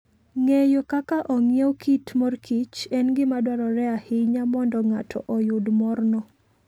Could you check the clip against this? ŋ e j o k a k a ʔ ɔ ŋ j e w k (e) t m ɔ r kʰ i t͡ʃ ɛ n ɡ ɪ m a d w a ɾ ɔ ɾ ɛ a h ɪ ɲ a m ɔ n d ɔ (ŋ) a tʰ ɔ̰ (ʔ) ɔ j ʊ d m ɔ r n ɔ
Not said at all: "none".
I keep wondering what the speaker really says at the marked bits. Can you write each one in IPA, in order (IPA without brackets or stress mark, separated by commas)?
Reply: i, ŋ, ʔ